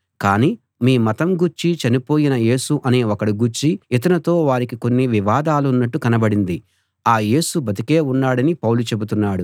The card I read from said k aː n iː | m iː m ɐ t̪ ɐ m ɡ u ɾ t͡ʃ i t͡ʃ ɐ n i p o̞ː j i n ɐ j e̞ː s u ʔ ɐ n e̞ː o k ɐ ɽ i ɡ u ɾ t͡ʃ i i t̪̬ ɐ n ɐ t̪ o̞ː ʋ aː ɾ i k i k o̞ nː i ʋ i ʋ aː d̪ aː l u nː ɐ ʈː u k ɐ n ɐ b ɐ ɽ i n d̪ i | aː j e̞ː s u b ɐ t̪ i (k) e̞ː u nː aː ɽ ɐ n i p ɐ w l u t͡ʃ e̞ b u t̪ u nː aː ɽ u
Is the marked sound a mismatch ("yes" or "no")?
no